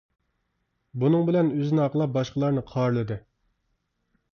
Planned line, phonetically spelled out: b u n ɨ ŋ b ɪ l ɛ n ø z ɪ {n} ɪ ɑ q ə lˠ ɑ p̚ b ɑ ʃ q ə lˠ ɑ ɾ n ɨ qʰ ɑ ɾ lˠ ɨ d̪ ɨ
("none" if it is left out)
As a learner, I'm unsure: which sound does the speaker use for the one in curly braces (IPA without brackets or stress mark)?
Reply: n